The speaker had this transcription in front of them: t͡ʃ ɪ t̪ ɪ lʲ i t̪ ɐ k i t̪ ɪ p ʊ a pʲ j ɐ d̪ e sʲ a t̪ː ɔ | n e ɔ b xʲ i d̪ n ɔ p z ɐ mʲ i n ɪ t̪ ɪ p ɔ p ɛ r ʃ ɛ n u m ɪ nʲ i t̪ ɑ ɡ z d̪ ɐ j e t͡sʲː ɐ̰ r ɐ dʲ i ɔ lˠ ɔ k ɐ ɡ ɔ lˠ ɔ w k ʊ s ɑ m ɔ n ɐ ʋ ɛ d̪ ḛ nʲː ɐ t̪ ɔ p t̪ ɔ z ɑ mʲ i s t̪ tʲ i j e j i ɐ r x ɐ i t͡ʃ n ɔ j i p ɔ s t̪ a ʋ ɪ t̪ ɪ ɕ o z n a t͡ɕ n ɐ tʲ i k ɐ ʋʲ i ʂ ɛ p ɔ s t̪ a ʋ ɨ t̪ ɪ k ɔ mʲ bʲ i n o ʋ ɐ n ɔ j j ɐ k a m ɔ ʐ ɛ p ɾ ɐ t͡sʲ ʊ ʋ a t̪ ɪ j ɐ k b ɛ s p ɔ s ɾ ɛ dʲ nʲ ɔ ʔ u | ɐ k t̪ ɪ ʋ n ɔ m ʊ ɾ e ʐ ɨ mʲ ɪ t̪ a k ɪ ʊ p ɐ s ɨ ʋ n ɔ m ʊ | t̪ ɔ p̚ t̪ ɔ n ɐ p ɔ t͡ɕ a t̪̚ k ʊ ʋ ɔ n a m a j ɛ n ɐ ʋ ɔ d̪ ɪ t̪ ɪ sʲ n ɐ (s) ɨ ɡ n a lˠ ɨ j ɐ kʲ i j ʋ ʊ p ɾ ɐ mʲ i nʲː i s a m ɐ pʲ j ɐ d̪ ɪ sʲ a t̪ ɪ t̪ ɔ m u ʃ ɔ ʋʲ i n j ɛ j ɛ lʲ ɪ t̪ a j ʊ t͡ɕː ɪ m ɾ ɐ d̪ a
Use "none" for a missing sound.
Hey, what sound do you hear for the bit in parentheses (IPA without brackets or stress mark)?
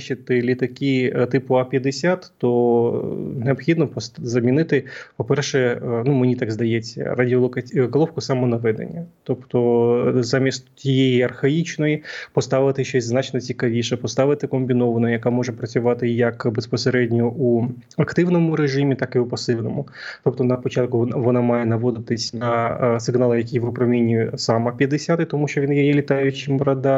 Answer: s